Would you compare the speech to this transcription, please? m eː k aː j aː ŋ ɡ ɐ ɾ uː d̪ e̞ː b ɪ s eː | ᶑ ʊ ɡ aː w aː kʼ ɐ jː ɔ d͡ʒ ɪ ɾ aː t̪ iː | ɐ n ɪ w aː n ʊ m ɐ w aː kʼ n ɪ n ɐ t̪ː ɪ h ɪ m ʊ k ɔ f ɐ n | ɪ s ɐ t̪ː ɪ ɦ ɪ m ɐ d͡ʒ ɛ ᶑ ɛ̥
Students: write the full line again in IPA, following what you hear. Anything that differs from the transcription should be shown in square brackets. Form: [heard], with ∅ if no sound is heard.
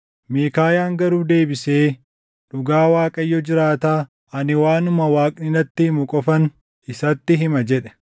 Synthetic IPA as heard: m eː k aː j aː ŋ ɡ ɐ ɾ uː d̪ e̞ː b ɪ s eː | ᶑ ʊ ɡ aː w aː kʼ ɐ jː ɔ d͡ʒ ɪ ɾ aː t̪ [aː] | ɐ n ɪ w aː n ʊ m ɐ w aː kʼ n ɪ n ɐ t̪ː ɪ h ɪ m ʊ [kʼ] ɔ f ɐ n | ɪ s ɐ t̪ː ɪ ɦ ɪ m ɐ d͡ʒ ɛ ᶑ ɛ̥